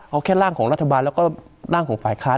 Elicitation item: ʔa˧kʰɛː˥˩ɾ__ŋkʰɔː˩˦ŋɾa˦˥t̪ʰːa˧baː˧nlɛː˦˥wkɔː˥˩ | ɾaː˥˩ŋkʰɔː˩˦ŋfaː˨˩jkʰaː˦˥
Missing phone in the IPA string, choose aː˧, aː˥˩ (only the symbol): aː˥˩